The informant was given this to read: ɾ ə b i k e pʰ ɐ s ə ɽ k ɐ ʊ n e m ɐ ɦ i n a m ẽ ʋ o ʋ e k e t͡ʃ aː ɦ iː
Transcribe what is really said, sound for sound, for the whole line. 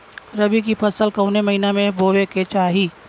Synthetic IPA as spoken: ɾ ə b i k i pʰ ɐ s ə l k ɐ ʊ n e m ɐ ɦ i n a m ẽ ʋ o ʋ e k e t͡ʃ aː ɦ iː

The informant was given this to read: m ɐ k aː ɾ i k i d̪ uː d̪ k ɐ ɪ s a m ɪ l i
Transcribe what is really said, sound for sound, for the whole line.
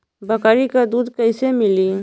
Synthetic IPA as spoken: b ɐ k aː ɾ i k a d̪ uː d̪ k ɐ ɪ s e m ɪ l i

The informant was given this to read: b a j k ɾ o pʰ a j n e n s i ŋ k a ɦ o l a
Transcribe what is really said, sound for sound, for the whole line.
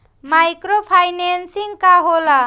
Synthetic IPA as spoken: m a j k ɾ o pʰ a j n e n s i ŋ k a ɦ o l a

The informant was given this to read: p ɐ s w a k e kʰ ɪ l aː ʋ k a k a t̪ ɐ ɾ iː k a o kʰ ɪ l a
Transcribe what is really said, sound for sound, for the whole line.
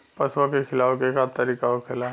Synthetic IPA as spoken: p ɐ s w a k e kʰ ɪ l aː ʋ k e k a t̪ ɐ ɾ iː k a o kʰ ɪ l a

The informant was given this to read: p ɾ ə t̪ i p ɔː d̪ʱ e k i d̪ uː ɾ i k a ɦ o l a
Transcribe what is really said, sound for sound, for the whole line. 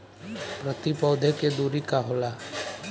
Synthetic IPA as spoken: p ɾ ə t̪ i p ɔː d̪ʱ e k e d̪ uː ɾ i k a ɦ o l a

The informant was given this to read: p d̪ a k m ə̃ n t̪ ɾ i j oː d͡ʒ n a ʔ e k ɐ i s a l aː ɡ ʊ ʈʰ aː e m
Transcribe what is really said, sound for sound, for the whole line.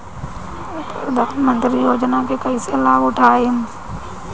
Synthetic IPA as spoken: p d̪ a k m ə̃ n t̪ ɾ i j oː d͡ʒ n a k e k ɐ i s e l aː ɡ ʊ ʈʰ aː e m

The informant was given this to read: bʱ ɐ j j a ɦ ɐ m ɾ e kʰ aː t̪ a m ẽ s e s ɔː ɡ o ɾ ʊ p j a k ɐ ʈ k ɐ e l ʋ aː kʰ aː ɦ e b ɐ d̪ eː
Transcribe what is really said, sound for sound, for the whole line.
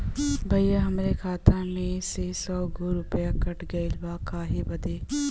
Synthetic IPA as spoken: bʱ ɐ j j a ɦ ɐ m ɾ e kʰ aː t̪ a m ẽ s e s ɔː ɡ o ɾ ʊ p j a k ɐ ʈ ɡ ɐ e l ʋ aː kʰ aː ɦ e b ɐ d̪ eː

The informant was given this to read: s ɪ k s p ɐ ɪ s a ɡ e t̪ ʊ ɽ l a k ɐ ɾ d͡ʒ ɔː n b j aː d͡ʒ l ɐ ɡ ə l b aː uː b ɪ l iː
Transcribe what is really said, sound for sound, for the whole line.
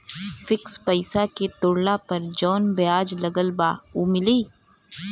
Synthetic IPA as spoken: f ɪ k s p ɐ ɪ s a k e t̪ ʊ ɽ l a p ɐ ɾ d͡ʒ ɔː n b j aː d͡ʒ l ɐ ɡ ə l b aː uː m ɪ l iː

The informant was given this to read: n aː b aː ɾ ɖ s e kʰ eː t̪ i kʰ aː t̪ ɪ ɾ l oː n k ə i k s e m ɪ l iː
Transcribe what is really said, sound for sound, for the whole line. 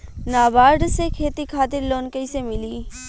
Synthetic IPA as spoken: n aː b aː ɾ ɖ s e kʰ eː t̪ i kʰ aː t̪ ɪ ɾ l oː n k ə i s e m ɪ l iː

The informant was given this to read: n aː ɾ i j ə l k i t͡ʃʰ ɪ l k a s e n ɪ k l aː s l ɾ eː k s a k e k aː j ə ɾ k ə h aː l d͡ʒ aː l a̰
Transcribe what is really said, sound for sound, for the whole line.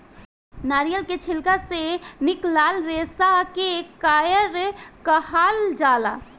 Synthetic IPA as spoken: n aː ɾ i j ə l k e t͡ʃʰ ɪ l k a s e n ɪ k l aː l ɾ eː s a k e k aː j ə ɾ k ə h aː l d͡ʒ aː l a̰

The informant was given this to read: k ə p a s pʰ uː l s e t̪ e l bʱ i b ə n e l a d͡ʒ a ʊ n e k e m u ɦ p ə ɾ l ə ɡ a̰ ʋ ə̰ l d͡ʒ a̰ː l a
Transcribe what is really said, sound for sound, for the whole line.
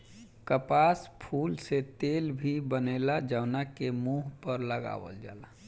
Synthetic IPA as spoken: k ə p a s pʰ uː l s e t̪ e l bʱ i b ə n e l a d͡ʒ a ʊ n a k e m u ɦ p ə ɾ l ə ɡ a̰ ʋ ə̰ l d͡ʒ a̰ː l a

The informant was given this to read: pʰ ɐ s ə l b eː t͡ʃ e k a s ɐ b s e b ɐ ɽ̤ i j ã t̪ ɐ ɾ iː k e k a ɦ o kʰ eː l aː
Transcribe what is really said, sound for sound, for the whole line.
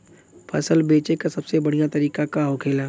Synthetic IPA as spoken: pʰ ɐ s ə l b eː t͡ʃ e k a s ɐ b s e b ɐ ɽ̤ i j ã t̪ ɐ ɾ iː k a k a ɦ o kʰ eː l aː

